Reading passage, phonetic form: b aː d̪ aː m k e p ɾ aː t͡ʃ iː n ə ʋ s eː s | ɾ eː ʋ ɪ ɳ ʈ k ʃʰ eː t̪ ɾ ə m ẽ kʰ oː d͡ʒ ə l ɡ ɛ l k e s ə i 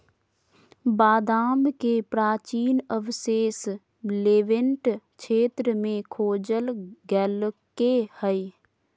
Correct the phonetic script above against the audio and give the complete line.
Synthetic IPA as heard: b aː d̪ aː m k e p ɾ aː t͡ʃ iː n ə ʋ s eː s | l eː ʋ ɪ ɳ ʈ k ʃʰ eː t̪ ɾ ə m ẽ kʰ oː d͡ʒ ə l ɡ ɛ l k e h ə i

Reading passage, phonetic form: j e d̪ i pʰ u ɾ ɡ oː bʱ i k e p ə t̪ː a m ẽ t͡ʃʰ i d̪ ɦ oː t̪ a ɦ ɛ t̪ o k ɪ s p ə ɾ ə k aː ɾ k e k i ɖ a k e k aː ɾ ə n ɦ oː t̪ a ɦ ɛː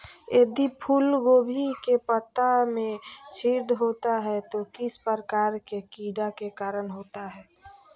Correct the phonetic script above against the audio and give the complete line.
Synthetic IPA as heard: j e d̪ i pʰ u l ɡ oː bʱ i k e p ə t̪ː a m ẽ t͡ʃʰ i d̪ ɦ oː t̪ a ɦ ɛ t̪ o k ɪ s p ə ɾ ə k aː ɾ k e k i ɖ a k e k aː ɾ ə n ɦ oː t̪ a ɦ ɛː

